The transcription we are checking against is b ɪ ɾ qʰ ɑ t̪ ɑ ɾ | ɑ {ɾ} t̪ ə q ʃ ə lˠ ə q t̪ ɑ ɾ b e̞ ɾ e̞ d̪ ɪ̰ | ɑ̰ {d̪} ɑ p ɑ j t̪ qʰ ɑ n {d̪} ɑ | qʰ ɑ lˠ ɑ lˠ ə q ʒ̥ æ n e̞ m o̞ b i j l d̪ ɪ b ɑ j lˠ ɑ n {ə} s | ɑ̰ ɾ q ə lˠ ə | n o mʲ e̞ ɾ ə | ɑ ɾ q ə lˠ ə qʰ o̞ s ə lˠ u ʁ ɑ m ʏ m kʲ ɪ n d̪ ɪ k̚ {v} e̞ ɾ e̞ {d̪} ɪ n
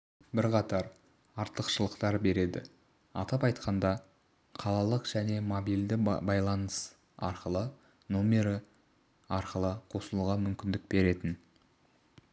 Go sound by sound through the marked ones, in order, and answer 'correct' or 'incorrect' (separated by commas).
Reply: correct, incorrect, correct, correct, incorrect, incorrect